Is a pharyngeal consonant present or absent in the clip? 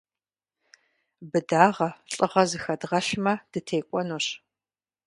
absent